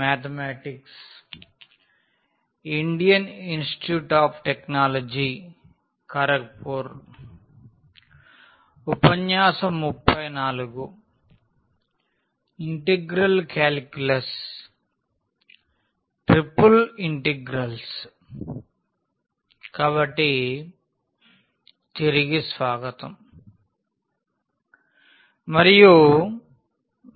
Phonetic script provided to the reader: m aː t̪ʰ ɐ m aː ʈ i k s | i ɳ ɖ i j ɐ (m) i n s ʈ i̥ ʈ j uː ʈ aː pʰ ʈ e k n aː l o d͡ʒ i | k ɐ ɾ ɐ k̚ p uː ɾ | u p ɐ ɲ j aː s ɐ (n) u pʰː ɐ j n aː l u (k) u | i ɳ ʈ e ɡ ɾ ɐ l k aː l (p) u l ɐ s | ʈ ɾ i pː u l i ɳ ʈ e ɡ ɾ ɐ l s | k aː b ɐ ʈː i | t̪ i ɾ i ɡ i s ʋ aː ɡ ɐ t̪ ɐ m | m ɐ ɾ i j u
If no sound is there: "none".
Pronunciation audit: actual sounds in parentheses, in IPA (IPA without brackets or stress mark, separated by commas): n, m, ɡ, k